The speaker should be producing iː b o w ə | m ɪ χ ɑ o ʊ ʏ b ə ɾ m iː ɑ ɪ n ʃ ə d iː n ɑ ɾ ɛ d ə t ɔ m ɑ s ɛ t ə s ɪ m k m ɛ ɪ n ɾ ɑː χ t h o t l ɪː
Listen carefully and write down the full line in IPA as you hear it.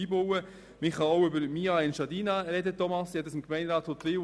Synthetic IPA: iː b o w ə | m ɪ χ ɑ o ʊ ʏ b ə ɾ m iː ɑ ɪ n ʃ ɑ d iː n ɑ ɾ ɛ d ə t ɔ m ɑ s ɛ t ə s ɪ m k m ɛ ɪ n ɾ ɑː t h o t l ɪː